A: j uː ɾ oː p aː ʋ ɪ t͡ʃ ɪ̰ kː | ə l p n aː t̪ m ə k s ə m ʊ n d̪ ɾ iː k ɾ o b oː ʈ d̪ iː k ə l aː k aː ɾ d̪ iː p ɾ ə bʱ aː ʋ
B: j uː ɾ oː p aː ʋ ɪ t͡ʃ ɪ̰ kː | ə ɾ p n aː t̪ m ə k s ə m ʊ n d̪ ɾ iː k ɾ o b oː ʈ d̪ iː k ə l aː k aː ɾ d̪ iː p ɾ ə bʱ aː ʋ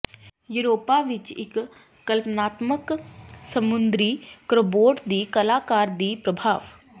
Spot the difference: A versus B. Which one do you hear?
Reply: A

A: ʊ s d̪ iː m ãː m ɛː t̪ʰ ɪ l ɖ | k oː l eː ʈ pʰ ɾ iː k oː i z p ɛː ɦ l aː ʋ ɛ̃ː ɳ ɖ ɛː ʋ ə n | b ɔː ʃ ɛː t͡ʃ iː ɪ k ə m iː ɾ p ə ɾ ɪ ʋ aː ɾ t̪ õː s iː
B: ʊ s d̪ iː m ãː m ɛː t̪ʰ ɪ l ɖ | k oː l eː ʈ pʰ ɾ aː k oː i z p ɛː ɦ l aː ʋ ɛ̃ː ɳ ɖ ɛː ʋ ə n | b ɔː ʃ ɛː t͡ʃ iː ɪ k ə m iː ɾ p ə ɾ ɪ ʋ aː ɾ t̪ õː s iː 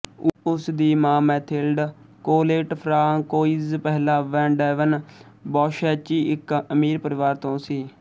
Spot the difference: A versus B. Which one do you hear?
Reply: B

